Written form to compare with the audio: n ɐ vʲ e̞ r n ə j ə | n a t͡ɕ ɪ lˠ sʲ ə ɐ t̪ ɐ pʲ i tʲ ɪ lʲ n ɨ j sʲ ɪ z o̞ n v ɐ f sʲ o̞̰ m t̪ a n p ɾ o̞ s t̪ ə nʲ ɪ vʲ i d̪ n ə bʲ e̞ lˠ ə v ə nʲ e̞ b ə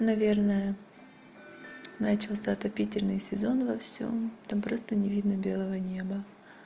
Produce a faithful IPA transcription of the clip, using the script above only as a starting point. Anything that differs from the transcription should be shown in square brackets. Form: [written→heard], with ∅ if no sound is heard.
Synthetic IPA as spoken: n ɐ vʲ e̞ r n ə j ə | n a t͡ɕ ɪ lˠ sʲ ə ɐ t̪ ɐ pʲ i tʲ ɪ lʲ n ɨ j sʲ ɪ z o̞ n v ɐ f sʲ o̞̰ m t̪ a [n→m] p ɾ o̞ s t̪ ə nʲ ɪ vʲ i d̪ n ə bʲ e̞ lˠ ə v ə nʲ e̞ b ə